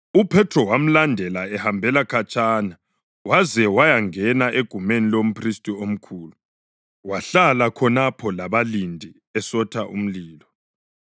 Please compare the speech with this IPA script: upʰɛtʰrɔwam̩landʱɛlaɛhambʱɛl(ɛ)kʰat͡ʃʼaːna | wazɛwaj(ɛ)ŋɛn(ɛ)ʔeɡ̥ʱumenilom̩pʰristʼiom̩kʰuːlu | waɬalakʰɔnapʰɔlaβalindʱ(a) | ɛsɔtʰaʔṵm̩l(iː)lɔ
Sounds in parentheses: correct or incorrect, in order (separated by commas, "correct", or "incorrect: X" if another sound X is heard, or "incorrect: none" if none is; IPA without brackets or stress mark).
incorrect: a, incorrect: a, incorrect: a, incorrect: i, correct